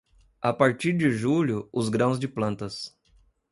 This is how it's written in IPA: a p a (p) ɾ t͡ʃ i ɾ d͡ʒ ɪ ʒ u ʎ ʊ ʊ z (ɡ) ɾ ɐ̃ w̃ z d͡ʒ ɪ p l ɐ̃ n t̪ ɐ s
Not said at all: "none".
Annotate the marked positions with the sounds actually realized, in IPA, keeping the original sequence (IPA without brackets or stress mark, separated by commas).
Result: none, ɡ